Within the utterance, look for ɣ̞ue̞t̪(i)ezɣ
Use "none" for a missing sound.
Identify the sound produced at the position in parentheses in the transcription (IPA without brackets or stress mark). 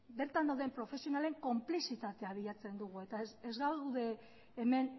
a